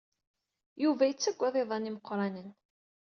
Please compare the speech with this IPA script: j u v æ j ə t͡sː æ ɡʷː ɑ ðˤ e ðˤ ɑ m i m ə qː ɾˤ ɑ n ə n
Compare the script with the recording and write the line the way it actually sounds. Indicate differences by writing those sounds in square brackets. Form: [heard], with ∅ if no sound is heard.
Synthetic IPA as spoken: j u v æ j ə t͡sː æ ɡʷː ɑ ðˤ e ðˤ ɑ [n] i m ə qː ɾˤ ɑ n ə n